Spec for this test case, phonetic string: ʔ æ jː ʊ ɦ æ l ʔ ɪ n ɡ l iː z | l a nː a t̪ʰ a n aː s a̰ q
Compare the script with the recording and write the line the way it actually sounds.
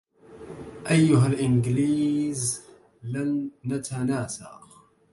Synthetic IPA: ʔ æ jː ʊ ɦ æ l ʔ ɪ n ɡ l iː z | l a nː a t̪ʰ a n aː s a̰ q